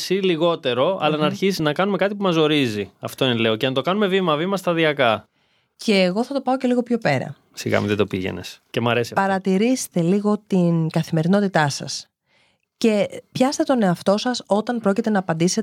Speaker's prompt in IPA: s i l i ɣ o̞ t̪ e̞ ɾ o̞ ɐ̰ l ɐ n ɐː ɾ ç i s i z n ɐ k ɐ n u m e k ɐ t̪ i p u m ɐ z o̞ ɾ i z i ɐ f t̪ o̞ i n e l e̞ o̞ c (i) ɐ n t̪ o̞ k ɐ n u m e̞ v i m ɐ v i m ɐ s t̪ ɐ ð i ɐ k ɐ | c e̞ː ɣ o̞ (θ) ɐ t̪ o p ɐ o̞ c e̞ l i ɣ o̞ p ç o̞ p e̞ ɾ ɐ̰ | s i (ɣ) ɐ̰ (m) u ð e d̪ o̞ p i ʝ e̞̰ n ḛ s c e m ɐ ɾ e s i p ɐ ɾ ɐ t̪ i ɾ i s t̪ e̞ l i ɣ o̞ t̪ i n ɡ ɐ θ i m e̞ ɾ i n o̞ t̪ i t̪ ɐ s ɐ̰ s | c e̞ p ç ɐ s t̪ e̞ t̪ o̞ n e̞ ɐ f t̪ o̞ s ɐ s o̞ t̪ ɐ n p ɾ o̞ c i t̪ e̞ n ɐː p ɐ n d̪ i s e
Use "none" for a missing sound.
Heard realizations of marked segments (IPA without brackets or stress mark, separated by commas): e, θ, ɣ, m